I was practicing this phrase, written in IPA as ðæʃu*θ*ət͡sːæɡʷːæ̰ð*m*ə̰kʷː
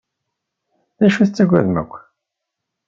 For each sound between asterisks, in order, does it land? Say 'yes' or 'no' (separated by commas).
yes, yes